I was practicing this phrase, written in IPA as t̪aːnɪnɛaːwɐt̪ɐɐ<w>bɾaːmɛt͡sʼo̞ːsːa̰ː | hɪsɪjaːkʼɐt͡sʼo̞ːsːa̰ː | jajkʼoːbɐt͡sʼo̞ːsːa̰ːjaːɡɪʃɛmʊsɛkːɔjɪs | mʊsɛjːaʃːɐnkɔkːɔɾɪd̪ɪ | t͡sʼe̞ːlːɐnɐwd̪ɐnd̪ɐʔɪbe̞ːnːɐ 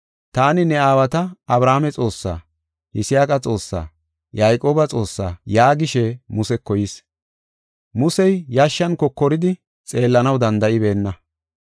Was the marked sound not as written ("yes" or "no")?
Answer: yes